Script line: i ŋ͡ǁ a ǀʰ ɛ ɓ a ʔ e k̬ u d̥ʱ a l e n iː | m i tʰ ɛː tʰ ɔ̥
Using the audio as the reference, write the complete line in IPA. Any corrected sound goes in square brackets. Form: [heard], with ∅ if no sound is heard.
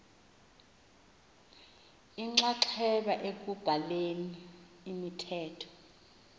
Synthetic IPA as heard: i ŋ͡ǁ a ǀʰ ɛ ɓ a ʔ e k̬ u [b̥ʱ] a l e n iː | m i tʰ ɛː tʰ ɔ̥